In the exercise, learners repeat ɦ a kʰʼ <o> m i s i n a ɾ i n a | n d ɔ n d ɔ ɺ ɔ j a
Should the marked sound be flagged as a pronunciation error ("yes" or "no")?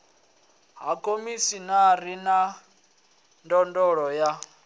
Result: no